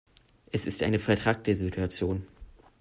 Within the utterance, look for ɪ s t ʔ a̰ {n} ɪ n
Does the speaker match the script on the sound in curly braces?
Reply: no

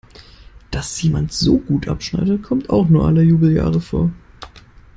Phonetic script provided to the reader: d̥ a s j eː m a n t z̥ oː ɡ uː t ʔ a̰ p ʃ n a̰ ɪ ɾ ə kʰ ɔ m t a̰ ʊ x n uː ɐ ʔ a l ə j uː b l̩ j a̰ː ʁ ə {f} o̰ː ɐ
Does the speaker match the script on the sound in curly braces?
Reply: yes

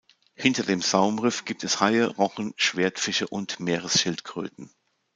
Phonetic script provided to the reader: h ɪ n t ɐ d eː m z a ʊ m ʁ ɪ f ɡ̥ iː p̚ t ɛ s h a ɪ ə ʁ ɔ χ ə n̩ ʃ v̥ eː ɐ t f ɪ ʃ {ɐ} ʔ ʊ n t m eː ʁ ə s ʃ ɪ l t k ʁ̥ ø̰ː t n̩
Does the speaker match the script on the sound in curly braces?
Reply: no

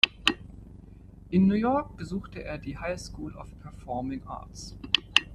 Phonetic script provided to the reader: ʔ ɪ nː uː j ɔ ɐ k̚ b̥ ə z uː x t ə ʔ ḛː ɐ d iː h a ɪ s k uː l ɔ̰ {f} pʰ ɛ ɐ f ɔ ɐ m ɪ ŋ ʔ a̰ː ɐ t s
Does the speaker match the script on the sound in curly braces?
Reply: yes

